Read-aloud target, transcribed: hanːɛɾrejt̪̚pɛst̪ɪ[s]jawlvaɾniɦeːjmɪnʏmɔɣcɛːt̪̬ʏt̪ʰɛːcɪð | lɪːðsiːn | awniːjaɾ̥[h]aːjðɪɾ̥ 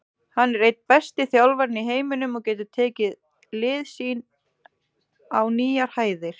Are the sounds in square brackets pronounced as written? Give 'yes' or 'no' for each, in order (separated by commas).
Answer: no, yes